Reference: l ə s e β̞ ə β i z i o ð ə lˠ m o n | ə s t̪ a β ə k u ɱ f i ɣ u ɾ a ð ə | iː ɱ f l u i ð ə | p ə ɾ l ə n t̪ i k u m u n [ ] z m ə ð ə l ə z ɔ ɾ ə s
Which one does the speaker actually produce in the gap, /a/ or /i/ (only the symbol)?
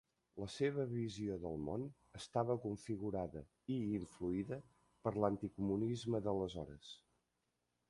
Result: i